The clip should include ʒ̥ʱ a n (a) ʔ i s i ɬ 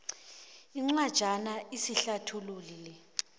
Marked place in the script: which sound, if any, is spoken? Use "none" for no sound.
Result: a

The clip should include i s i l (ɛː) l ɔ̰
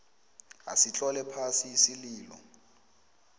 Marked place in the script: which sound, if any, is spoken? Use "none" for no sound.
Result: iː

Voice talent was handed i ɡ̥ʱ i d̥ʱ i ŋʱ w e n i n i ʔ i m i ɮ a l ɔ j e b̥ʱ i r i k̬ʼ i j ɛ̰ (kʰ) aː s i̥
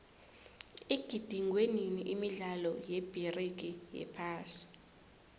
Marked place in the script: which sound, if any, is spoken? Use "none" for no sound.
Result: pʰ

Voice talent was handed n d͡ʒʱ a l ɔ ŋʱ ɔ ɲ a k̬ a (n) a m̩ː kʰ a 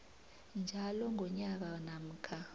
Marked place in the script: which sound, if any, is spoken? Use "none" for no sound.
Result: n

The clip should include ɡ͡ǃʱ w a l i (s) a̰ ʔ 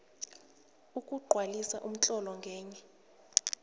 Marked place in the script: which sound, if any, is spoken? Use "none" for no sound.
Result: s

